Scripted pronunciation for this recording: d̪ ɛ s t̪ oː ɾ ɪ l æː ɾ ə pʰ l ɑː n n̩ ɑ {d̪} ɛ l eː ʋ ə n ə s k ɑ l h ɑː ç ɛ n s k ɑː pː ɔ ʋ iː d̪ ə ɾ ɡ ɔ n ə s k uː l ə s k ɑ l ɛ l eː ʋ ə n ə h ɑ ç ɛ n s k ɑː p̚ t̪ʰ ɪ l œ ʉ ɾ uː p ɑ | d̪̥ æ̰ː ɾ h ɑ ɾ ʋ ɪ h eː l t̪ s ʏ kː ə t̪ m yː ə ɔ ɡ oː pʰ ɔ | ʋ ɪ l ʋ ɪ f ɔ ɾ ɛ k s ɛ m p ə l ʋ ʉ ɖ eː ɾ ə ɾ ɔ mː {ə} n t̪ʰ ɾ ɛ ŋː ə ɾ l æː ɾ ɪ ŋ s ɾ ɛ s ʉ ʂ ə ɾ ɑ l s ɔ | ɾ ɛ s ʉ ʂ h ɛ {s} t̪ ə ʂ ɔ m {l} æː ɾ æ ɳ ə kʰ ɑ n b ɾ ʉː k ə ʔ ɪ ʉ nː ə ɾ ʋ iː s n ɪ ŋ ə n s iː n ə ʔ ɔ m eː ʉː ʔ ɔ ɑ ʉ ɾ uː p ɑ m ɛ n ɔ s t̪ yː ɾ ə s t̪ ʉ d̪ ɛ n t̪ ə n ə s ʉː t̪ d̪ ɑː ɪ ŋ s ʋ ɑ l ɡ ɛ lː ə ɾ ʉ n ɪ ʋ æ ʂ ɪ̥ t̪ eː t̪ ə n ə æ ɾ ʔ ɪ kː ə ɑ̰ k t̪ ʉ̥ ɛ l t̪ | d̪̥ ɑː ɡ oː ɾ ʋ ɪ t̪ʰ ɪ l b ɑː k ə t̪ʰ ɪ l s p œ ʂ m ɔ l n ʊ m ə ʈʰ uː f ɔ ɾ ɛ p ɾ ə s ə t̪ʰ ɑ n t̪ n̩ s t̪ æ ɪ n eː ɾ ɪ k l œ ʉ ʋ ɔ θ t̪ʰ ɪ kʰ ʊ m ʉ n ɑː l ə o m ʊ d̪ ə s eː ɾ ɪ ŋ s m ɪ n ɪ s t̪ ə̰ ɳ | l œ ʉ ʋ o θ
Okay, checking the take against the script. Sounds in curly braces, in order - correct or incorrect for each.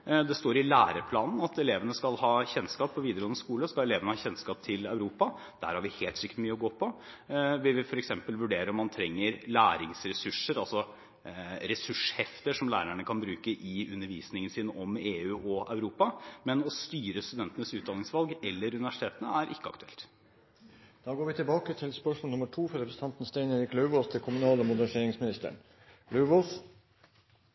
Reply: incorrect, incorrect, incorrect, correct

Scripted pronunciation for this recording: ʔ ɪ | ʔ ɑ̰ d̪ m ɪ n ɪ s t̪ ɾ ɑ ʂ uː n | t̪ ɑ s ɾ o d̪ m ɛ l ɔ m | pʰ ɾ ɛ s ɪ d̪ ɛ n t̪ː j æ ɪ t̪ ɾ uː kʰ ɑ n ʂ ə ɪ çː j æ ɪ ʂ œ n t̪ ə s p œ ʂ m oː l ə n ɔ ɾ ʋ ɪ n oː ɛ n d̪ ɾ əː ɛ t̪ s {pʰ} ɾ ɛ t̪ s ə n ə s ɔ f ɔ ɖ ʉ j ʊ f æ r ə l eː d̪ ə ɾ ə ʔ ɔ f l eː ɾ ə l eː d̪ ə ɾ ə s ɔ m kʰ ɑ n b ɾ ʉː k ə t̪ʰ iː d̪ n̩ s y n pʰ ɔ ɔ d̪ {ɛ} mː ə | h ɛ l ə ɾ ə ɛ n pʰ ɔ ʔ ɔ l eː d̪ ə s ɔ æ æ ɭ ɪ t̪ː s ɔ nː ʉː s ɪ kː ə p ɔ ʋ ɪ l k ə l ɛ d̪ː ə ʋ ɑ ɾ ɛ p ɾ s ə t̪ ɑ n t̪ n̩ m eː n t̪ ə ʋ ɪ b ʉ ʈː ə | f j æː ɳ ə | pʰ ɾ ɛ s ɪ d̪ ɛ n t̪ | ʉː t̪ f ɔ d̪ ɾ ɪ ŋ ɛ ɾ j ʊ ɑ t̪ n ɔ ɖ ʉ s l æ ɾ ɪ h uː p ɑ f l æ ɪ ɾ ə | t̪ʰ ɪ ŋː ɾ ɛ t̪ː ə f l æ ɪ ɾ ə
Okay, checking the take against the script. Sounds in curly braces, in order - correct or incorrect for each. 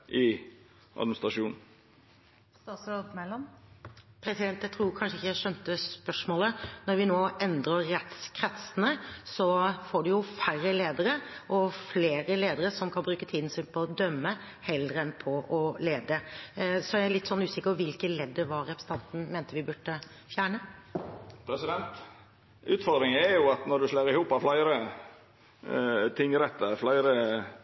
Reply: incorrect, incorrect

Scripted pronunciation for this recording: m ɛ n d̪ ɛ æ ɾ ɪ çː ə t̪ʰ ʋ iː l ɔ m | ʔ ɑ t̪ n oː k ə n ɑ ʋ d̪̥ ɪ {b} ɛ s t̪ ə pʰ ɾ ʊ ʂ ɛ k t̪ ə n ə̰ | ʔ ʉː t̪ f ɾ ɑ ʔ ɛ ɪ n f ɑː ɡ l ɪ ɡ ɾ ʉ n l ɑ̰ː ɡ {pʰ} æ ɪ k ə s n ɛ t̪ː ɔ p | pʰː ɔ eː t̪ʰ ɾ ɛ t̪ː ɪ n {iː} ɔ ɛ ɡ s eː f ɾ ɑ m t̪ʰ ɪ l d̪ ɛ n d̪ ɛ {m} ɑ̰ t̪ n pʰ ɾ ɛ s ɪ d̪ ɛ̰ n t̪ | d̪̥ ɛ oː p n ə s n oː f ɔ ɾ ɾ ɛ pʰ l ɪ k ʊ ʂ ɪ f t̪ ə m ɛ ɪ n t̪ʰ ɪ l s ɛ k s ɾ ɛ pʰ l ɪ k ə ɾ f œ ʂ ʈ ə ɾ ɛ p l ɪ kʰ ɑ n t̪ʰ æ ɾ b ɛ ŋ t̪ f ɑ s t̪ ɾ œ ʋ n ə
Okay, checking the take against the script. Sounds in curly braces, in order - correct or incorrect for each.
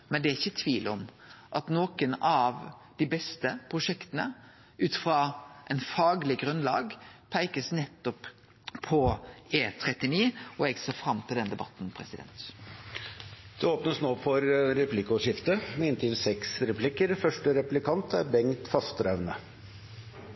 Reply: correct, correct, correct, incorrect

